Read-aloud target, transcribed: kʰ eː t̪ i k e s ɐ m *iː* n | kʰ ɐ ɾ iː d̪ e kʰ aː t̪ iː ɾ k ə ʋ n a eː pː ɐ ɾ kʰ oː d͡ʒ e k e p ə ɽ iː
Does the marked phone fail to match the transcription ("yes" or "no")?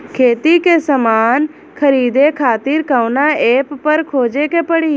yes